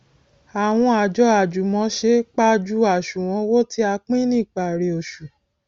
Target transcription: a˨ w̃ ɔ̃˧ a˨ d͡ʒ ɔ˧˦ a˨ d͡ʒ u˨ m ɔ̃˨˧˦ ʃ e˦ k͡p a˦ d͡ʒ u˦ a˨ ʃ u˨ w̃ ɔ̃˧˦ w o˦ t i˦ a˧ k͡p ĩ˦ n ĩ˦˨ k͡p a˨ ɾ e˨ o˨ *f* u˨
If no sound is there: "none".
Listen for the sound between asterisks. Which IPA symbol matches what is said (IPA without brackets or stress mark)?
ʃ